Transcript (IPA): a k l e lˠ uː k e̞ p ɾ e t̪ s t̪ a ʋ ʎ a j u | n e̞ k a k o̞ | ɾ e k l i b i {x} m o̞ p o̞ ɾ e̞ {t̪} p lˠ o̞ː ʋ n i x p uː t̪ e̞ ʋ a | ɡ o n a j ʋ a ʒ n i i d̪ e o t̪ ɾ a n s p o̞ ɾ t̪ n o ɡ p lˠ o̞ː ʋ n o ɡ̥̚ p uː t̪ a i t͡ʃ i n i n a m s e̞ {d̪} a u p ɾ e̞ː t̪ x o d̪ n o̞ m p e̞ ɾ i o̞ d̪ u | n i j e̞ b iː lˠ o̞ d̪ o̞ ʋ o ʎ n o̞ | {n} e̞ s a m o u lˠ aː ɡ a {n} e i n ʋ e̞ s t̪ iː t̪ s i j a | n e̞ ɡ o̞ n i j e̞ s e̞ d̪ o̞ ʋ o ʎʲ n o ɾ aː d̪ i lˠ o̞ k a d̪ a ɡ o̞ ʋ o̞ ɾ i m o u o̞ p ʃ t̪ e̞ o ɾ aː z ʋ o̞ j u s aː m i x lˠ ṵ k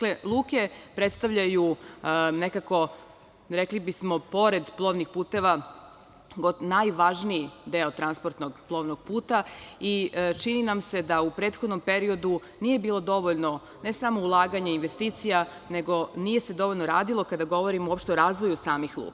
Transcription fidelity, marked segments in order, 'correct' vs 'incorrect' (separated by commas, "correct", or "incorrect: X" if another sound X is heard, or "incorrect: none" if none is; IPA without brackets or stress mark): incorrect: s, incorrect: d̪, correct, correct, incorrect: ɲ